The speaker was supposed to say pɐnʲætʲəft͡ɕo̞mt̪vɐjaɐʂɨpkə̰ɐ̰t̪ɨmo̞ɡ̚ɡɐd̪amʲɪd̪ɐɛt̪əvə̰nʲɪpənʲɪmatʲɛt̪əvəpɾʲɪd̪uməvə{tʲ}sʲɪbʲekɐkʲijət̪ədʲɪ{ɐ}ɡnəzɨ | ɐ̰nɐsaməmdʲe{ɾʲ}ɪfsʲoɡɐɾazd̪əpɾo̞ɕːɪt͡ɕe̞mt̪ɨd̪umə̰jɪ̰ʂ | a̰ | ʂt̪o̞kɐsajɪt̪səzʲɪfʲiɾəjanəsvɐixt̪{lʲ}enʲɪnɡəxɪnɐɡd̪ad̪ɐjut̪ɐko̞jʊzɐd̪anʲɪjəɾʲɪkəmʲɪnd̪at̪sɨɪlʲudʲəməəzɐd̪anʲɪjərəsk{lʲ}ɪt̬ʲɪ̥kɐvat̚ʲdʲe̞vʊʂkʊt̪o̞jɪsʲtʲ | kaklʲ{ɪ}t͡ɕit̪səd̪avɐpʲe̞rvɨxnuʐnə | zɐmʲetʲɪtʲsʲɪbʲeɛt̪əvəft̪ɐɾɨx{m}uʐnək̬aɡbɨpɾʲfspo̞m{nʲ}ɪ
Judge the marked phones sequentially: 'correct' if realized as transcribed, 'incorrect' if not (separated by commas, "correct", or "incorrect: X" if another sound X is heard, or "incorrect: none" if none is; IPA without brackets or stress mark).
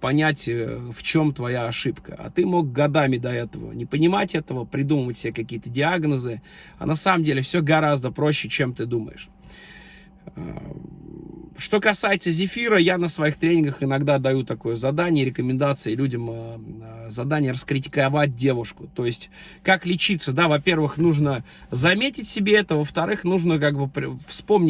correct, incorrect: a, incorrect: lʲ, incorrect: ɾʲ, incorrect: ɾʲ, correct, incorrect: n, correct